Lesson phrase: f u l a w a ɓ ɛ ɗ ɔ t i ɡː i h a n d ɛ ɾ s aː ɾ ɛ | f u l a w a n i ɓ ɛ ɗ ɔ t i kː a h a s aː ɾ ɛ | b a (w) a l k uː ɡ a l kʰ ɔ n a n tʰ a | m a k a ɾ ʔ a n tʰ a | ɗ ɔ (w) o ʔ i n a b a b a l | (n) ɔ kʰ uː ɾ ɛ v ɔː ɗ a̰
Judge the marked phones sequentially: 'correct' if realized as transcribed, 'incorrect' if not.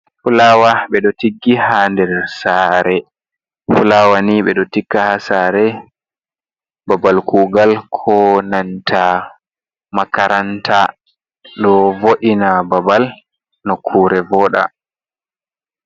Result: incorrect, incorrect, correct

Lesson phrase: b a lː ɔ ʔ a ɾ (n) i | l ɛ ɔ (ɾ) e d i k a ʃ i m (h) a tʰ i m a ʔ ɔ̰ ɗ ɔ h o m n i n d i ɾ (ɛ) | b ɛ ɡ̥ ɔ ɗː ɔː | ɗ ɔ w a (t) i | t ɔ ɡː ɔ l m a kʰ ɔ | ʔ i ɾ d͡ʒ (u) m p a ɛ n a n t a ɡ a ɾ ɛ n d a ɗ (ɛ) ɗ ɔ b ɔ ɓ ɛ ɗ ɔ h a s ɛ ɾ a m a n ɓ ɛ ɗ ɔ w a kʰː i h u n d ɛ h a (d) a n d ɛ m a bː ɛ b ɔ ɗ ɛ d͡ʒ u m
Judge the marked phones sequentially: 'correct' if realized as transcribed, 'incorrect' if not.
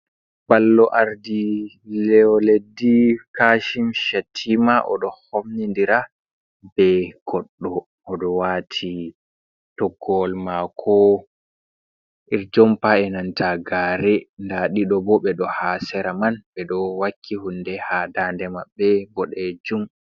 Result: incorrect, incorrect, incorrect, incorrect, incorrect, incorrect, incorrect, correct

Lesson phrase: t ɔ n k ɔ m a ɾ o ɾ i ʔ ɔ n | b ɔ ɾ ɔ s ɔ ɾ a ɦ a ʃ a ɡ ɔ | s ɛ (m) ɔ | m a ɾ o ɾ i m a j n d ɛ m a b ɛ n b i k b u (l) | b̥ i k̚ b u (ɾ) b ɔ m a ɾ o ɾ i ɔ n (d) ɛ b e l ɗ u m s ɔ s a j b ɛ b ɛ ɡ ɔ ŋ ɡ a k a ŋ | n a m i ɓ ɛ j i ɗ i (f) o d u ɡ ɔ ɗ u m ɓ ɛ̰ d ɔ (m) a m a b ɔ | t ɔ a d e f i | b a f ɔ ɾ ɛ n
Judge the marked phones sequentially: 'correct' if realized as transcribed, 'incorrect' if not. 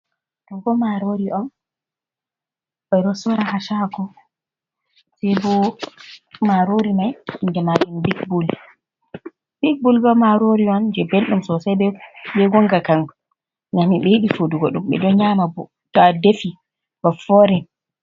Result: incorrect, correct, incorrect, incorrect, correct, incorrect

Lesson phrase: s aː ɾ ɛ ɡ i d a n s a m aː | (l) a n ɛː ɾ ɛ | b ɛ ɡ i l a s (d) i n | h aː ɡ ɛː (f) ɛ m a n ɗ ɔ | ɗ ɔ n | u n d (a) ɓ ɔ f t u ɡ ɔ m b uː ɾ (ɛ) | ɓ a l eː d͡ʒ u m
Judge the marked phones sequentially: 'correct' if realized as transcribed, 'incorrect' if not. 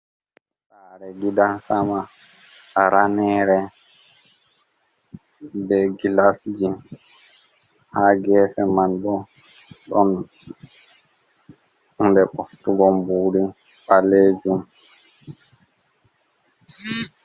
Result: incorrect, incorrect, correct, incorrect, incorrect

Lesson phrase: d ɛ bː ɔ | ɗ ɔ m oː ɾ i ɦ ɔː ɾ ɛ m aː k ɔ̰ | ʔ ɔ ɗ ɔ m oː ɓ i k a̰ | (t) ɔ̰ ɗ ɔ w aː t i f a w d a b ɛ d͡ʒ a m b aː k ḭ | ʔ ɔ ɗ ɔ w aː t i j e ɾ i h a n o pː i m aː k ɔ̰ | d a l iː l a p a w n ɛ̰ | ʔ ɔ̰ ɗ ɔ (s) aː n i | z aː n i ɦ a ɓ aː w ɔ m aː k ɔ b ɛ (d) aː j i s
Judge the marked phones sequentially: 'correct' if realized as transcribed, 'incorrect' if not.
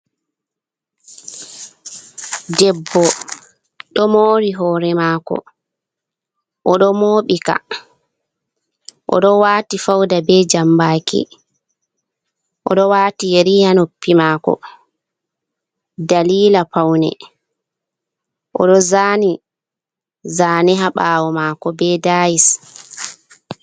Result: incorrect, incorrect, correct

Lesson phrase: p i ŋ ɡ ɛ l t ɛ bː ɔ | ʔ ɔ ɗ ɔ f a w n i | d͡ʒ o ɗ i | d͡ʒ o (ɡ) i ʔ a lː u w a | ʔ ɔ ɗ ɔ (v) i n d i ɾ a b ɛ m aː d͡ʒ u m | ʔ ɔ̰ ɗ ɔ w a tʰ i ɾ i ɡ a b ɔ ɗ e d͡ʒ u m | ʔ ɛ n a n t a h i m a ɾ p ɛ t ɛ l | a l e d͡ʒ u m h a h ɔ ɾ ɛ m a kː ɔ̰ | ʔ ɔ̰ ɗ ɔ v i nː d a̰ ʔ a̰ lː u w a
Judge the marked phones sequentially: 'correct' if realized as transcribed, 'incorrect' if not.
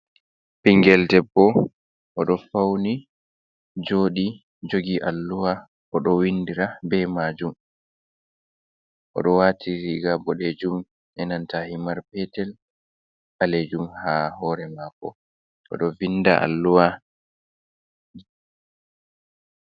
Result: correct, incorrect

